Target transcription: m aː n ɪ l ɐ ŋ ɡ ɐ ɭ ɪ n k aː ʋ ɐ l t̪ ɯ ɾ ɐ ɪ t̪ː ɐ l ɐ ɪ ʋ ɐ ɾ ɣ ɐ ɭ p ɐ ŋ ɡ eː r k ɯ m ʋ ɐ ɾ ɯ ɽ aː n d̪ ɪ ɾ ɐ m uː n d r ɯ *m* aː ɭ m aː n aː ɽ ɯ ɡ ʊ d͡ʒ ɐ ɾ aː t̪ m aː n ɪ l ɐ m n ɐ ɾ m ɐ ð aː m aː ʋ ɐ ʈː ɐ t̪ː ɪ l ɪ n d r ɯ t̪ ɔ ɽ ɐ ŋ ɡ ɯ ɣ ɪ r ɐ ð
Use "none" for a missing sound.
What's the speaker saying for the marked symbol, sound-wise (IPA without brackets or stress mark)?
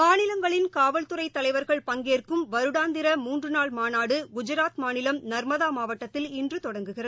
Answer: n